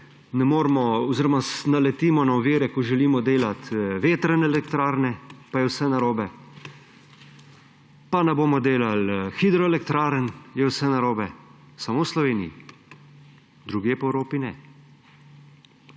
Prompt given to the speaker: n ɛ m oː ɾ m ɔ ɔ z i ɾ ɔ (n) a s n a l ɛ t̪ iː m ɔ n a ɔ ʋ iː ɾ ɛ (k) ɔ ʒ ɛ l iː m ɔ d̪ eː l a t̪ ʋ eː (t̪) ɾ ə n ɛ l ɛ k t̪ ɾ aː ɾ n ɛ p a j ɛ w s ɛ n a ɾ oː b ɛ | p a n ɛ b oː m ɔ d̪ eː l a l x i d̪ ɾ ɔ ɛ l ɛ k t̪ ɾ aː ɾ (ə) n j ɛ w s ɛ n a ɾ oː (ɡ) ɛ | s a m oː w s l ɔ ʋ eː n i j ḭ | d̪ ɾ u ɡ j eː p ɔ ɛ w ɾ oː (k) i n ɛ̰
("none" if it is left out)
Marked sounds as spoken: m, k, t̪, ə, b, p

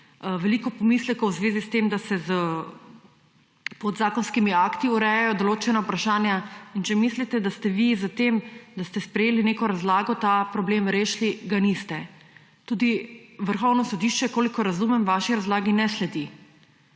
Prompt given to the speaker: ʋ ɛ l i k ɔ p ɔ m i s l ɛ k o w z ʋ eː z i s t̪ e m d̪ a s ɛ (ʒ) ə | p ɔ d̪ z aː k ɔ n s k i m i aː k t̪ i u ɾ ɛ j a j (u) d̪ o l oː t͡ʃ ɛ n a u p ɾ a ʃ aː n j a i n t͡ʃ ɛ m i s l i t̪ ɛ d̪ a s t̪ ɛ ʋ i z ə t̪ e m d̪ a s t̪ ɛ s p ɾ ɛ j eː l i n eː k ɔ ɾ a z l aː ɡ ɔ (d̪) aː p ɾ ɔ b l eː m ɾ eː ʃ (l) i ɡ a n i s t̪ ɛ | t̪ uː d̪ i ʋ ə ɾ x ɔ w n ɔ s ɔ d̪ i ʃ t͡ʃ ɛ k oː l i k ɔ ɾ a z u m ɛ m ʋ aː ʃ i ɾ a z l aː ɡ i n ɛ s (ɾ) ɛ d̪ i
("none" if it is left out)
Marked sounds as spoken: z, ɔ, t̪, l, l

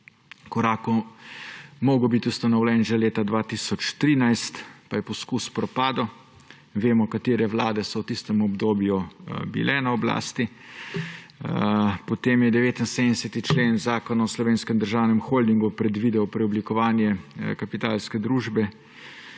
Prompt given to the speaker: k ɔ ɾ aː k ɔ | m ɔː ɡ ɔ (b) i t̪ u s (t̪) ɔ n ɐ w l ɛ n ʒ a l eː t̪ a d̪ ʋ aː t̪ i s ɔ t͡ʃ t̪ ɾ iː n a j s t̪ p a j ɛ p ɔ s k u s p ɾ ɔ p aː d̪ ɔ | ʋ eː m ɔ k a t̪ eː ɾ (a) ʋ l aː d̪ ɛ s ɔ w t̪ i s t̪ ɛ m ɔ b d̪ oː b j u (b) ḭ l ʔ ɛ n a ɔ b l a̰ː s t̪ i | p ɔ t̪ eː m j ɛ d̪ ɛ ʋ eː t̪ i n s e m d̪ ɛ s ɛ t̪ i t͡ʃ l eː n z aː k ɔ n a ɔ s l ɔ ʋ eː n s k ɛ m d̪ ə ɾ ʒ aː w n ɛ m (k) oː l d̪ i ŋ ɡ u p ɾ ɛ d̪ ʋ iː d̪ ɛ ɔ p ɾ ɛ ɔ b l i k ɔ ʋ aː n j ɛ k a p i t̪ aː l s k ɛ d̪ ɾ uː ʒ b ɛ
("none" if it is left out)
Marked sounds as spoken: b, t̪, ɛ, b, x

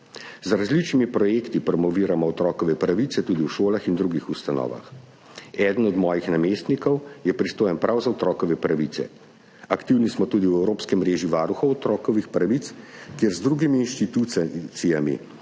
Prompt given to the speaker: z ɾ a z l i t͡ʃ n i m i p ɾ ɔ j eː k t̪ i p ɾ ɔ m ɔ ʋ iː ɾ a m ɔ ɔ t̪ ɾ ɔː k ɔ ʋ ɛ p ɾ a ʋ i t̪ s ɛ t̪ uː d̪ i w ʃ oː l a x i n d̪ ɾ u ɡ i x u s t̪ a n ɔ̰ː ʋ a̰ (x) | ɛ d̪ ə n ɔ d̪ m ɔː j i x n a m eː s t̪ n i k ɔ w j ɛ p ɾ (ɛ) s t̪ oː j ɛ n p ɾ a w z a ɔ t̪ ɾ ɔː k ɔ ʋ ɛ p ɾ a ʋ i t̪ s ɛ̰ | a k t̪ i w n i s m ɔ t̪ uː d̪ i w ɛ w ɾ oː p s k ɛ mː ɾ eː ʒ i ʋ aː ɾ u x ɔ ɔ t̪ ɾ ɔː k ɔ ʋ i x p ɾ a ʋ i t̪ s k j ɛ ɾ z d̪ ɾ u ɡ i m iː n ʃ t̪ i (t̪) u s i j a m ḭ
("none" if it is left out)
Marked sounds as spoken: x, i, t̪

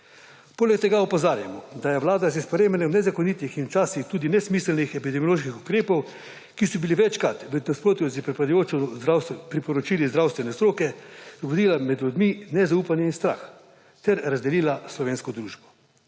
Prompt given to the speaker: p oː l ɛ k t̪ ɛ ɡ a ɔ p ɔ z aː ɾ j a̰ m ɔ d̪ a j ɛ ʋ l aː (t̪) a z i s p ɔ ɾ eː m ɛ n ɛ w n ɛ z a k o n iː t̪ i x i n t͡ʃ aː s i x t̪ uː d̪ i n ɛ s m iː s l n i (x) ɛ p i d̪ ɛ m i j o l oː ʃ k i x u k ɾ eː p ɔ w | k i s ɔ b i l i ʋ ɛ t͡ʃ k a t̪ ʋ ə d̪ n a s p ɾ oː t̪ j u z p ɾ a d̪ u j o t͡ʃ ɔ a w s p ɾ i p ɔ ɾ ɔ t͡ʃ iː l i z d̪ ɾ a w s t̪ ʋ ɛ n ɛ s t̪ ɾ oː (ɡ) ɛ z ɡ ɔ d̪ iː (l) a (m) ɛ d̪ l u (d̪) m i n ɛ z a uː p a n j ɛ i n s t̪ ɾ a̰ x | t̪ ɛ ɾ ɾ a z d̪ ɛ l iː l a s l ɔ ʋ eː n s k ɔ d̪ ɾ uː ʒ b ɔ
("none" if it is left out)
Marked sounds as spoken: d̪, x, k, l, m, d̪

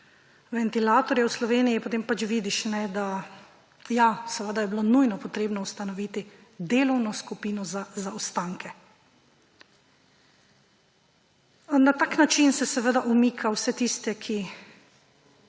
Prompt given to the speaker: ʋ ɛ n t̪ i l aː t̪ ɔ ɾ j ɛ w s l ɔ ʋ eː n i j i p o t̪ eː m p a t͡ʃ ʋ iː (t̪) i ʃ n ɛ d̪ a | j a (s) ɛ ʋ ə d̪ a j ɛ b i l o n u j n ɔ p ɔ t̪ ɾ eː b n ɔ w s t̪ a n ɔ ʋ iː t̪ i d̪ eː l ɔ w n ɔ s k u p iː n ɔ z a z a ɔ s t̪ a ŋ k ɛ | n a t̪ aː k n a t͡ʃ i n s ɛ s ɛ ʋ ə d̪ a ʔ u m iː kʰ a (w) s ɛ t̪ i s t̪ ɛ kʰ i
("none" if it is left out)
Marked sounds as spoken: d̪, s, w

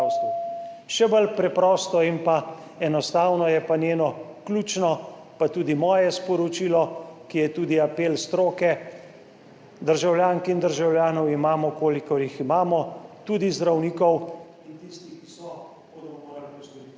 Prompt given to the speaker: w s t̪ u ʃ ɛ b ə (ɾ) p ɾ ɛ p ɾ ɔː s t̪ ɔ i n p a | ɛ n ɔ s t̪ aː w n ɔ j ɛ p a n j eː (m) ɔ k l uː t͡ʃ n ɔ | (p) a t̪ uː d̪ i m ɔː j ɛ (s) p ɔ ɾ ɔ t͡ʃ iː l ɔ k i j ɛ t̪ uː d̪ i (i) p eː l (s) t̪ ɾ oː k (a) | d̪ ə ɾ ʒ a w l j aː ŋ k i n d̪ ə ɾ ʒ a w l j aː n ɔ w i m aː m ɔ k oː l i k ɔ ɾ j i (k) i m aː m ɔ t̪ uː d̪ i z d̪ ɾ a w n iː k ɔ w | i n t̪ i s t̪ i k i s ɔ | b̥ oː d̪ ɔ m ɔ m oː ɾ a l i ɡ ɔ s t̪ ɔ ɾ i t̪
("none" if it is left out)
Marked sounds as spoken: l, n, p, s, a, s, ɛ, x

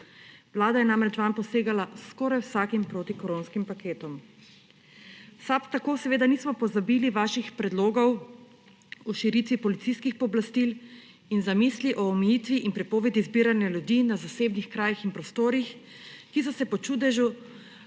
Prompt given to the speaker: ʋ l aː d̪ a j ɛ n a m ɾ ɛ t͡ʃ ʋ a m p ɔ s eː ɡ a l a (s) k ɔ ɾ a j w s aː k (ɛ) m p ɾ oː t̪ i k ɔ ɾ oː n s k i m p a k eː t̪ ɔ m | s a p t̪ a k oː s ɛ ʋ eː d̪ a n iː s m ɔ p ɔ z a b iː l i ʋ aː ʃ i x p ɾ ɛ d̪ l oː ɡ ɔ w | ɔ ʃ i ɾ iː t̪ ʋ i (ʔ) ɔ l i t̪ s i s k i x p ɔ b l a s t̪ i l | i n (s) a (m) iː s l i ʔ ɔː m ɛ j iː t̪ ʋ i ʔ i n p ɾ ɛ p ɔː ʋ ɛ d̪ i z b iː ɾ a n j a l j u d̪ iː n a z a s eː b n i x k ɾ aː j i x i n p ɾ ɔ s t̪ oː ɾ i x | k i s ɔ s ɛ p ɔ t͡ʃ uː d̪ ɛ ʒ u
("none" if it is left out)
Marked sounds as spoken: s, i, p, z, m

